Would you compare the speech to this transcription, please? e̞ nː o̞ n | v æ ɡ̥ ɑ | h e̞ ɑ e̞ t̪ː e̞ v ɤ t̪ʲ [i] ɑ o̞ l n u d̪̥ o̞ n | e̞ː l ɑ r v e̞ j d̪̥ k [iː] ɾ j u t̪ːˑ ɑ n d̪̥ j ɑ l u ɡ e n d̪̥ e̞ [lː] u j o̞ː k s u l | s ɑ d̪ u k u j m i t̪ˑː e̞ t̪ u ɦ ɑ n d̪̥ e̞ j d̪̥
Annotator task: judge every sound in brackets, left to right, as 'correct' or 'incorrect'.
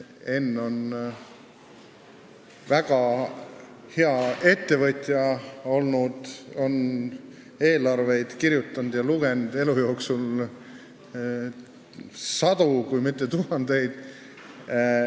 incorrect, incorrect, incorrect

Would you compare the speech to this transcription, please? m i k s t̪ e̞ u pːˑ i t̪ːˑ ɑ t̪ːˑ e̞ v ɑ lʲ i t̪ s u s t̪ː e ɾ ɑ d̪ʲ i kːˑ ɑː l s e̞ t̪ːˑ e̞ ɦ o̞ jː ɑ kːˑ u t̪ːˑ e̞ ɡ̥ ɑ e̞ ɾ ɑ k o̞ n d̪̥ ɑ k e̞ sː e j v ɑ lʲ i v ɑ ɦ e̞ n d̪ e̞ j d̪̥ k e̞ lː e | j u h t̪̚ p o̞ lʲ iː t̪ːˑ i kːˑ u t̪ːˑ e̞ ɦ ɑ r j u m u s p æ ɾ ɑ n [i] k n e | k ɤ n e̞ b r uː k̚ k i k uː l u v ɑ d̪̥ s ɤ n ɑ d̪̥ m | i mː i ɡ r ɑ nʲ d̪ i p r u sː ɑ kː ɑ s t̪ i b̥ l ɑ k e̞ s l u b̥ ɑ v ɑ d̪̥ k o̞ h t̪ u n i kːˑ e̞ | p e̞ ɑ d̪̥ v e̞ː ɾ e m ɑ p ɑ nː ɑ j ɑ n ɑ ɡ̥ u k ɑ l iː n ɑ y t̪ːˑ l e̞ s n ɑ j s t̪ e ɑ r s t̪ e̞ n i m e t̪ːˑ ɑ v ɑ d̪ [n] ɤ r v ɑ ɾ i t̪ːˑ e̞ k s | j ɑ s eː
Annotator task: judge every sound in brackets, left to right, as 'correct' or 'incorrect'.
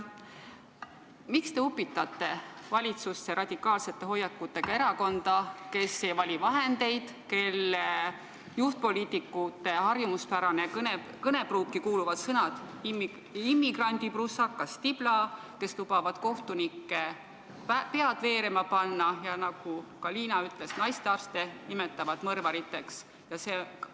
incorrect, incorrect

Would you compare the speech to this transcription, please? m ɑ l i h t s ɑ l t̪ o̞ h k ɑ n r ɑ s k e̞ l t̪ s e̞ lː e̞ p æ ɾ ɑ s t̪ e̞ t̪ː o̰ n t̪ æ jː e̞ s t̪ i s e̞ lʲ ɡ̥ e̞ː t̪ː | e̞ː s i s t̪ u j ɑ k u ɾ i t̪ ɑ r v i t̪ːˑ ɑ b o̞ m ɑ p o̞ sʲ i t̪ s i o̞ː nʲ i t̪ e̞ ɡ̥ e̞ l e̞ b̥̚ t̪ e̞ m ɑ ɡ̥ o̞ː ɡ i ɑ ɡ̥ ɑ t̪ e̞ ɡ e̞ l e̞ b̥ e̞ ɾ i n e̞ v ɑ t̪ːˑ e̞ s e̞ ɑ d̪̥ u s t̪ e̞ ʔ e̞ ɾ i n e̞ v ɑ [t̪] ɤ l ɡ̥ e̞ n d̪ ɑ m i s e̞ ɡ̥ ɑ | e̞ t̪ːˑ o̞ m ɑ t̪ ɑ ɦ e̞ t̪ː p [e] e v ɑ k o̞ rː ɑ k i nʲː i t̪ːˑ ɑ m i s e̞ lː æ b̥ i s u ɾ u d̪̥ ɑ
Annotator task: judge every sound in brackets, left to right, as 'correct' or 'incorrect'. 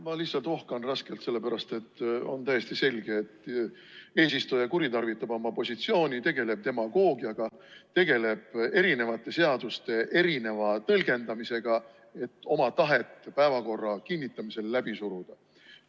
correct, incorrect

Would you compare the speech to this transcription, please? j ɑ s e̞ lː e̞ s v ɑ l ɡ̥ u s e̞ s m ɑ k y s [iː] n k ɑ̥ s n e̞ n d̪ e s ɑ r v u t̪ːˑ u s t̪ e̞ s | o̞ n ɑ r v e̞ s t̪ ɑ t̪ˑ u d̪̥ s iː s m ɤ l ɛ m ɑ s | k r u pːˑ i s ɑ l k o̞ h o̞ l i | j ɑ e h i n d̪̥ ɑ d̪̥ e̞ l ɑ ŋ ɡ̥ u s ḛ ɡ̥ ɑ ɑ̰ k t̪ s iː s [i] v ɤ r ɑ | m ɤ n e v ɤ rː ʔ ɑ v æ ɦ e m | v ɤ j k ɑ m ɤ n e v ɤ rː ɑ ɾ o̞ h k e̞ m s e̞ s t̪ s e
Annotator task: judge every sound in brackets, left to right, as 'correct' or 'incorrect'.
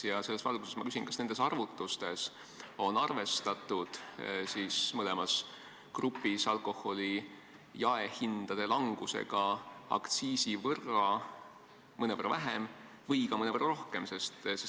incorrect, correct

